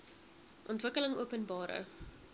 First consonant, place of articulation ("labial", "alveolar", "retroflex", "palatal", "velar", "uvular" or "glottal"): glottal